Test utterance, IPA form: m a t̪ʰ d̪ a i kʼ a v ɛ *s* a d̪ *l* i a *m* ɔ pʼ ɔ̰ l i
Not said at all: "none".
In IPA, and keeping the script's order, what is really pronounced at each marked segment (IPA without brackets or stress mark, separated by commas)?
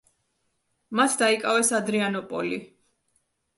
s, ɾ, n